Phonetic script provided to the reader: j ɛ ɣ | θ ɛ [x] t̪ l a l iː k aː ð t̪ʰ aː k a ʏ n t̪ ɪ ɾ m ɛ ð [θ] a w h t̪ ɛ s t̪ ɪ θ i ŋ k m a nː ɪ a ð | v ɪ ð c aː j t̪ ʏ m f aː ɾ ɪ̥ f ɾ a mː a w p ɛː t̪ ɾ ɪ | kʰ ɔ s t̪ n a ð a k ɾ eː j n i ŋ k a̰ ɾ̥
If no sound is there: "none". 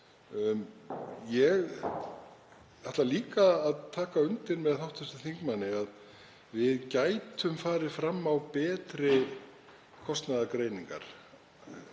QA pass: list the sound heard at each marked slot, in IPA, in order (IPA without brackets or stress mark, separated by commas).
h, θ